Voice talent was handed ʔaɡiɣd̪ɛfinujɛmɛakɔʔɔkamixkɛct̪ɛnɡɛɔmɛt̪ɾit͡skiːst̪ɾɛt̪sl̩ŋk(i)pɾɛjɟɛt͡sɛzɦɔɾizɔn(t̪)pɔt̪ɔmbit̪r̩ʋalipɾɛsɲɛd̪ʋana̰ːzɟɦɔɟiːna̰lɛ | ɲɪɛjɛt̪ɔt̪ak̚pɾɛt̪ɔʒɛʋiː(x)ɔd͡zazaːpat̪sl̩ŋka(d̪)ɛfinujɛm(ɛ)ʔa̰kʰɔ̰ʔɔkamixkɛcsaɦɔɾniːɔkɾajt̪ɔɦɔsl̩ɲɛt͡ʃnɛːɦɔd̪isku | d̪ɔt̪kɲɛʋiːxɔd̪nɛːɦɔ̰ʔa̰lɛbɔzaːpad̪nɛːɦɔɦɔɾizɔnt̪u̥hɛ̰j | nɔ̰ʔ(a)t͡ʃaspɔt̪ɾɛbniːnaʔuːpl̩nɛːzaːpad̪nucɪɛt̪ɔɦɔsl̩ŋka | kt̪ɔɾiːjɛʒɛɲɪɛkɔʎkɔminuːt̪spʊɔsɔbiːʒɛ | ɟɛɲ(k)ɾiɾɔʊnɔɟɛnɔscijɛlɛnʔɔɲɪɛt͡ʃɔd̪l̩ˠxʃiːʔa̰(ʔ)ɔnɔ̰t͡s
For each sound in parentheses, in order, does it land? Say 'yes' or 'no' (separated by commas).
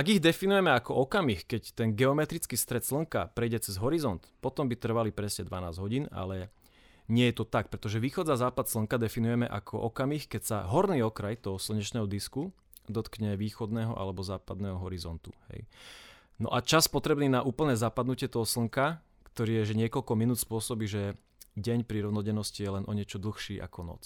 no, yes, yes, yes, yes, yes, no, no